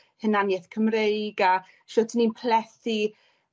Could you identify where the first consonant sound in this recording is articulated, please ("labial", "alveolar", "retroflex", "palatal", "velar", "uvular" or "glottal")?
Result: glottal